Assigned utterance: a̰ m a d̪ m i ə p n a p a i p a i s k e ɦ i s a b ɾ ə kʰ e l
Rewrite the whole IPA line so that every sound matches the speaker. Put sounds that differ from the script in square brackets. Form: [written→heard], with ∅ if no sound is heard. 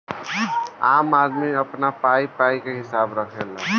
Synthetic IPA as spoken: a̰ m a d̪ m i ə p n a p a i p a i [s→∅] k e ɦ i s a b ɾ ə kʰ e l